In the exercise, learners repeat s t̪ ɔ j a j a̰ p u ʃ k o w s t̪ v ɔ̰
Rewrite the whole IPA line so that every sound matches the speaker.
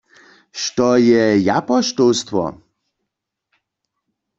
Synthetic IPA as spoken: ʃ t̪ ɔ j ɛ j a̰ p ɔ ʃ t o w s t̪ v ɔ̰